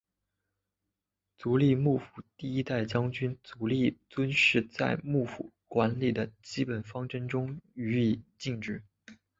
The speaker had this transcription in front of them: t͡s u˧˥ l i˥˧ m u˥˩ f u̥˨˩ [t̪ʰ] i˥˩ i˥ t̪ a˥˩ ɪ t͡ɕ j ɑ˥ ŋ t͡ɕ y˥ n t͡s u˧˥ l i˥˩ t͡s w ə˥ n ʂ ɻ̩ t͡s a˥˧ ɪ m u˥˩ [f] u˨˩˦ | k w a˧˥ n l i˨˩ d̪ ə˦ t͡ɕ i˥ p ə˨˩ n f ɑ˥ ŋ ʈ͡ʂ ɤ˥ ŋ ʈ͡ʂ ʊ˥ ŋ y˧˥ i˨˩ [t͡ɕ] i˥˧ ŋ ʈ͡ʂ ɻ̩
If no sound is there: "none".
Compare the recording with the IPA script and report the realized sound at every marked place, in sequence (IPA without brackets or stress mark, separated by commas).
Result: t̪, f, t͡ɕ